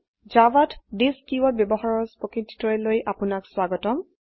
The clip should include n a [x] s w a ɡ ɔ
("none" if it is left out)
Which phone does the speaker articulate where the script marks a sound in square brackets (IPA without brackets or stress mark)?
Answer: k